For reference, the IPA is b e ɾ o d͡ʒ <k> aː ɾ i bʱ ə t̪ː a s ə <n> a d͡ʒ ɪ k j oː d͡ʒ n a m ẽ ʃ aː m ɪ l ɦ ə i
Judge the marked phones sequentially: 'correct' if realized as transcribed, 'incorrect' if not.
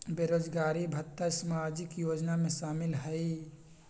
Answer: incorrect: ɡ, incorrect: m

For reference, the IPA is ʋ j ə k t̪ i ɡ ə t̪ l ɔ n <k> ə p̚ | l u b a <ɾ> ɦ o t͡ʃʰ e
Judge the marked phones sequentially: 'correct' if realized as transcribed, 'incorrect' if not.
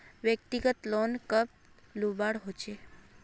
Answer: correct, incorrect: ɽ

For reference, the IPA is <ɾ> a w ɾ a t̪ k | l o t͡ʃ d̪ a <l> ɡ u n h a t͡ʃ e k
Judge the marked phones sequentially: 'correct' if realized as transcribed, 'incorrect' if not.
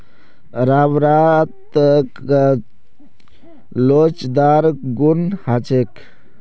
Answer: correct, incorrect: ɾ

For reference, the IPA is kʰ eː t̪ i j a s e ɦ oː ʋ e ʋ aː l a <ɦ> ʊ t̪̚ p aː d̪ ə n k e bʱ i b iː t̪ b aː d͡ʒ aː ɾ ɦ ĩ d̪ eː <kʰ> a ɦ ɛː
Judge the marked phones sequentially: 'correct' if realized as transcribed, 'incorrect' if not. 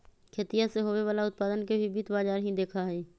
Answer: incorrect: none, correct

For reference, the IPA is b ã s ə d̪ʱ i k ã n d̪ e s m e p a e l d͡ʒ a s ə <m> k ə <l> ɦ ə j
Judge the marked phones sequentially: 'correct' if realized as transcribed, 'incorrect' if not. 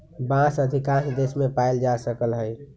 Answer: incorrect: none, correct

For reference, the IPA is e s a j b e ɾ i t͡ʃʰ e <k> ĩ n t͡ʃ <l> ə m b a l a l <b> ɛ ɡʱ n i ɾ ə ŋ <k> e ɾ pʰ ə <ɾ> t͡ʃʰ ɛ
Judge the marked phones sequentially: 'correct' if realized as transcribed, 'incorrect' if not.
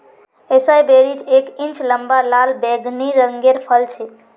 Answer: correct, correct, correct, incorrect: ɡ, incorrect: l

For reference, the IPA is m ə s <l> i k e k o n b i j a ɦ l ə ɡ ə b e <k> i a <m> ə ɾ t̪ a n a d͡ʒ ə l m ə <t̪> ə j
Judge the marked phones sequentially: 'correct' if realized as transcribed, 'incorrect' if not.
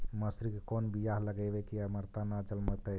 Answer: incorrect: ɾ, correct, correct, correct

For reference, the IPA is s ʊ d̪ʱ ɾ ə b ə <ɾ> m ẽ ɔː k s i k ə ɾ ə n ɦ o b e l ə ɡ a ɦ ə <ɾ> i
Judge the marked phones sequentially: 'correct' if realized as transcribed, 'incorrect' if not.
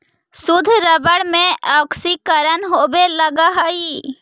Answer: incorrect: ɽ, incorrect: none

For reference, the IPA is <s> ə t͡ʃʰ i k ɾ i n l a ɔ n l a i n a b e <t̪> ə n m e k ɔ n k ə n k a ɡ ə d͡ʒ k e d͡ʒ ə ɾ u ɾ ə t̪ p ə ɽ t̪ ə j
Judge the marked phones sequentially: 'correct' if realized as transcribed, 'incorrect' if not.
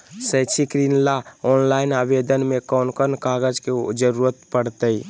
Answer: correct, incorrect: d̪

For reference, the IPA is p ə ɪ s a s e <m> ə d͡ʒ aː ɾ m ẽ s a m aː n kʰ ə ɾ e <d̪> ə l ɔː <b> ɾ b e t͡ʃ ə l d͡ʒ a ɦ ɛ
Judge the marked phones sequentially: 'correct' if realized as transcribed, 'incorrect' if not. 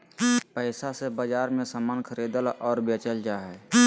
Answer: incorrect: b, correct, incorrect: none

